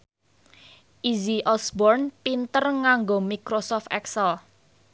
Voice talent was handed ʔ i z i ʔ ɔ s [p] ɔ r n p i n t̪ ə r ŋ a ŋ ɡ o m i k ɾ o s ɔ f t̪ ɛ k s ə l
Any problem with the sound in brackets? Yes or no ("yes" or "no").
yes